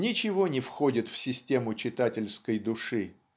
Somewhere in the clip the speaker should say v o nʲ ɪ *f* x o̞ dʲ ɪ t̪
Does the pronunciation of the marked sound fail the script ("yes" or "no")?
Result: no